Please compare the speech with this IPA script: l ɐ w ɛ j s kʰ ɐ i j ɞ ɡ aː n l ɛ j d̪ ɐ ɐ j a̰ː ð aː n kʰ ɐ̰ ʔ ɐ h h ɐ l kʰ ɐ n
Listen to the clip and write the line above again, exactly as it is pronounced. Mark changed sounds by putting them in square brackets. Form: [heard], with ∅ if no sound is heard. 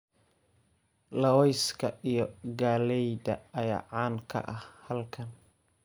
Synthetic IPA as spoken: l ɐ w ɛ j s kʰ ɐ i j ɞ ɡ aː [∅] l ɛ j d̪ ɐ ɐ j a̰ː [ʕ] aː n kʰ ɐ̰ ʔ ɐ h h ɐ l kʰ ɐ n